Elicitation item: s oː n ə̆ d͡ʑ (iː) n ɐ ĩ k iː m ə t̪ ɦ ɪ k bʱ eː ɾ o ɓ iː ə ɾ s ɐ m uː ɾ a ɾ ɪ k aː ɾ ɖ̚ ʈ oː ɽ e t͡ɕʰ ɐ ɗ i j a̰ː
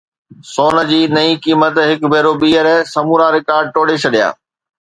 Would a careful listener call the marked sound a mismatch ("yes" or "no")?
no